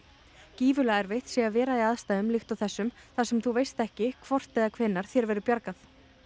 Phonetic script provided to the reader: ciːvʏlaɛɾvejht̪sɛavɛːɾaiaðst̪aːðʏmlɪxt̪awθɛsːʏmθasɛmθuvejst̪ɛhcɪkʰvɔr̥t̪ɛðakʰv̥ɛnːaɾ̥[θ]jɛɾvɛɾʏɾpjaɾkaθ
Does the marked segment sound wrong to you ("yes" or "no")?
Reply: no